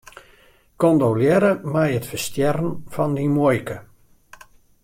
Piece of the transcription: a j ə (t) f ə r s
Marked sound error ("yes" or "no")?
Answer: no